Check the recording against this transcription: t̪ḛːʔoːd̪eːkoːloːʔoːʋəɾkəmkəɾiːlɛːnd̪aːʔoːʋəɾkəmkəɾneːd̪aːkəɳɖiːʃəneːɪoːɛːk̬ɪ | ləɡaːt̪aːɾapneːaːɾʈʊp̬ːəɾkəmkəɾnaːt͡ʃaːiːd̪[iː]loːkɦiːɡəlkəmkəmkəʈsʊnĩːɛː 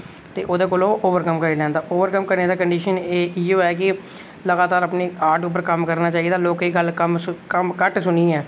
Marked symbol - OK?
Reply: no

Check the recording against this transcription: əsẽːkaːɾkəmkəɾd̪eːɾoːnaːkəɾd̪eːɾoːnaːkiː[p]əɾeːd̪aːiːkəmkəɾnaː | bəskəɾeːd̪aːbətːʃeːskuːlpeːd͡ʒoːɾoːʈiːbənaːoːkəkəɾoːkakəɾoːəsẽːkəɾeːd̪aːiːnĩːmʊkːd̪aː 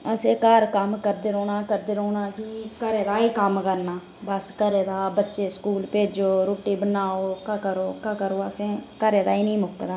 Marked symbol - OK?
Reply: no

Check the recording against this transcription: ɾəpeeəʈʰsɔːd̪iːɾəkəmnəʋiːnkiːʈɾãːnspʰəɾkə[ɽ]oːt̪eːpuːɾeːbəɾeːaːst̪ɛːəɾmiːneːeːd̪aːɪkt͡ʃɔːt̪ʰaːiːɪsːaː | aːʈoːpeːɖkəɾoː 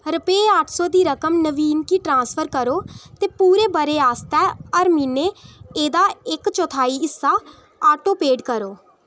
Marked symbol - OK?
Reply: no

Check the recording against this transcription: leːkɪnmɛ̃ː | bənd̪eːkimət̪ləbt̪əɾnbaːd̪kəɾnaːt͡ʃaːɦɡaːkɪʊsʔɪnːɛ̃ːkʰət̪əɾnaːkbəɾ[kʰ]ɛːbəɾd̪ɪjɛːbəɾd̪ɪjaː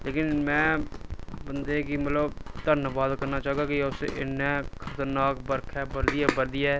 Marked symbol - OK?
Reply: yes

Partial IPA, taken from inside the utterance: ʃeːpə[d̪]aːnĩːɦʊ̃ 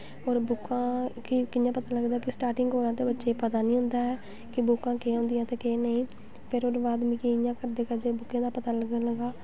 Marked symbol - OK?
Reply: no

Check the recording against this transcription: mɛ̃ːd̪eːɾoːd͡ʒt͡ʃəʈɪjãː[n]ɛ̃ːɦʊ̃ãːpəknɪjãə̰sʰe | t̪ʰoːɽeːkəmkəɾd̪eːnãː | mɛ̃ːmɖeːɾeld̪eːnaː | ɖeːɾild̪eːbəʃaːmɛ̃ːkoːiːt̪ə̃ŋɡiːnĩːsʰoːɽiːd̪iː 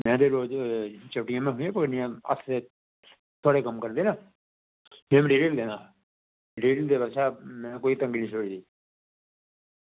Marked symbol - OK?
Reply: no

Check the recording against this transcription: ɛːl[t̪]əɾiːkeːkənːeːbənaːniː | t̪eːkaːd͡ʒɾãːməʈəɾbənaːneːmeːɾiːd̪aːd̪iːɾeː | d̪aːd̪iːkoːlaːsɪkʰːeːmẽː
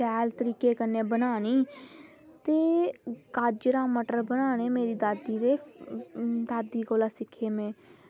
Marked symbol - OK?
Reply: yes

